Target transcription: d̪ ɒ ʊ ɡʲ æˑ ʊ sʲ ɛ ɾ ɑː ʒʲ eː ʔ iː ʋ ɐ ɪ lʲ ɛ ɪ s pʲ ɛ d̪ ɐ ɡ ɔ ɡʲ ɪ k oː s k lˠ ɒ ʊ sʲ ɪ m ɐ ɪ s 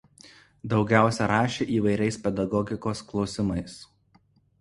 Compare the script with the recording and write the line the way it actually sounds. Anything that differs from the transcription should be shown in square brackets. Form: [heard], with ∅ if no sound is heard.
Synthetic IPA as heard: d̪ ɒ ʊ ɡʲ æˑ ʊ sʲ ɛ ɾ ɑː [ʃʲ] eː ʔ iː ʋ ɐ ɪ [ɾʲ] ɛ ɪ s pʲ ɛ d̪ ɐ ɡ ɔ ɡʲ ɪ k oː s k lˠ ɒ ʊ sʲ ɪ m ɐ ɪ s